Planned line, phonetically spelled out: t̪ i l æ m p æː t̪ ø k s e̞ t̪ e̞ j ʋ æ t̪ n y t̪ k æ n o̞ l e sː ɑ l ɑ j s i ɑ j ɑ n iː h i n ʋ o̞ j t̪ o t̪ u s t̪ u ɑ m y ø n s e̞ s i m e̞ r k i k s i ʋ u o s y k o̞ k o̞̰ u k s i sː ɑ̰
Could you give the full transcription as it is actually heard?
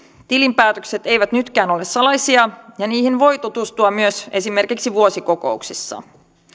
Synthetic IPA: t̪ i l i m p æː t̪ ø k s e̞ t̪ e̞ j ʋ æ t̪ n y t̪ k æː n o̞ l e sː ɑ l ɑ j s i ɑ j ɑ n iː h i n ʋ o̞ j t̪ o t̪ u s t̪ u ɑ m y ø s e̞ s i m e̞ r k i k s i ʋ u o s i k o̞ k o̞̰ u k s i sː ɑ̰